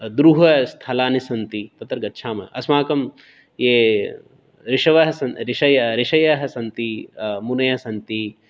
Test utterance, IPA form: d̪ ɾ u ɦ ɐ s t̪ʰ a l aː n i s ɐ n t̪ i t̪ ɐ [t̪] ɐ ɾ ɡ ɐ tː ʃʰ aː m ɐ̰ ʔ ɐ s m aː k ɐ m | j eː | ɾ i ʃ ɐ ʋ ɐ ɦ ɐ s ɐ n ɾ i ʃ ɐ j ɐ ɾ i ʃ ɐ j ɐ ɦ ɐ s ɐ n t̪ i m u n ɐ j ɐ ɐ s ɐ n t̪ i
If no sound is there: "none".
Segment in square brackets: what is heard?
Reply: t̪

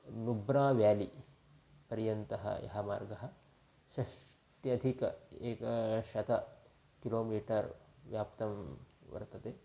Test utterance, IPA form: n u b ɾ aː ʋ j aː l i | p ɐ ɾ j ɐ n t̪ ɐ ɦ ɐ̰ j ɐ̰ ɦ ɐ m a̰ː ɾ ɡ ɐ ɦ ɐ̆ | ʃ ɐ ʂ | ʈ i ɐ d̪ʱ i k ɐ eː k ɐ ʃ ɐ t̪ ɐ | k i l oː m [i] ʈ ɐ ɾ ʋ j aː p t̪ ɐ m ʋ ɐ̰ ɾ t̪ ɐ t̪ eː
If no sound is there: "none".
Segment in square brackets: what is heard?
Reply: iː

